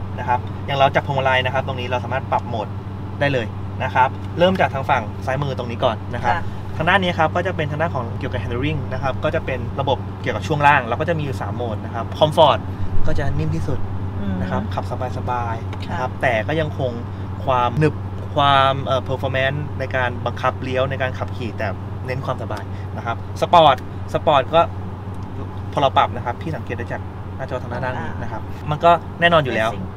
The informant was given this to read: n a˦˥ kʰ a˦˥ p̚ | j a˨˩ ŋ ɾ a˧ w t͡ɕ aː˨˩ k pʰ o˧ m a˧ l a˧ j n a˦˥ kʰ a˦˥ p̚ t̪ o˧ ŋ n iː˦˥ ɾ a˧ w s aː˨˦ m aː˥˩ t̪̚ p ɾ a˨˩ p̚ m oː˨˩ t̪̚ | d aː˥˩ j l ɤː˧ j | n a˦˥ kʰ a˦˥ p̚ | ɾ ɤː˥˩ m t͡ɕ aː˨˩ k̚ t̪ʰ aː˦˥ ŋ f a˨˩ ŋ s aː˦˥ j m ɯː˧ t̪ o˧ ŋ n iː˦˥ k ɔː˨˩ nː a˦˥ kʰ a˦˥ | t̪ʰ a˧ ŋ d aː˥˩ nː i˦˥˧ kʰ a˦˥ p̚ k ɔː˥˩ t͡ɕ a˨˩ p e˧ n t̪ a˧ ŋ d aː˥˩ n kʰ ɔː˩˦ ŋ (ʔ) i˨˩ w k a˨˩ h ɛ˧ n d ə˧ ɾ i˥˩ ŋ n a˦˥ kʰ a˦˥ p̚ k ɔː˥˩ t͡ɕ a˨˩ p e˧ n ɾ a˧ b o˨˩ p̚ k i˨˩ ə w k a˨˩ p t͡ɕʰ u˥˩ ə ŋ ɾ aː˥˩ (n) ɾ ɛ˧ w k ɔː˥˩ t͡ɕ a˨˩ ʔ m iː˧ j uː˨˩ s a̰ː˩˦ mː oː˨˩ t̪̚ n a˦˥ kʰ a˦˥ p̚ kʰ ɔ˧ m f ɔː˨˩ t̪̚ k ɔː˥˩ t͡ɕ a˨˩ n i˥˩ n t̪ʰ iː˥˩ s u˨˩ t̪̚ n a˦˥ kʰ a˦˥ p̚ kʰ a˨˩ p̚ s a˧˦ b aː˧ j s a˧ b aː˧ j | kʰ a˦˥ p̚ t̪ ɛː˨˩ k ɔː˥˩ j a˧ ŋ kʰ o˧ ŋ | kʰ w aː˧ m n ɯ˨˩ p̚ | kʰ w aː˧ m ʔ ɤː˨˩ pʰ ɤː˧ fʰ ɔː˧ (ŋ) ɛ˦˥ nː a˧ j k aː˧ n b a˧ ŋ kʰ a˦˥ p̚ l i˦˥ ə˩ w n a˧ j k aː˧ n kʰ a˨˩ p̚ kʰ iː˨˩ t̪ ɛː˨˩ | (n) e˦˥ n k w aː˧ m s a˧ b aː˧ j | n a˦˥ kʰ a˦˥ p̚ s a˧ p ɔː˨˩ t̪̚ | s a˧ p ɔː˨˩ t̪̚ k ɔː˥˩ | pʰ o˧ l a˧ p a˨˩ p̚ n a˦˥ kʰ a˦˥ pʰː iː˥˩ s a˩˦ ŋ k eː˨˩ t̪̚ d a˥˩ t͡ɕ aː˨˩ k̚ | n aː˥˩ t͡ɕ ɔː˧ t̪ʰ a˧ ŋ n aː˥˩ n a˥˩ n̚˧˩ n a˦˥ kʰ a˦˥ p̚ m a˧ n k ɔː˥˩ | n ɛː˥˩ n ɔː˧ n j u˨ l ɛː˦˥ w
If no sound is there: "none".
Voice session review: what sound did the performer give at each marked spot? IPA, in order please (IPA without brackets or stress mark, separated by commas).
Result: k, ŋ, m, n